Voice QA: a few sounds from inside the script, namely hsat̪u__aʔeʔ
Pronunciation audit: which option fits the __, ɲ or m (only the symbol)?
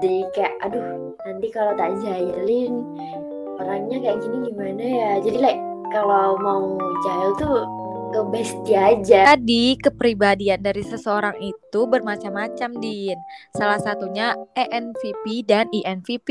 ɲ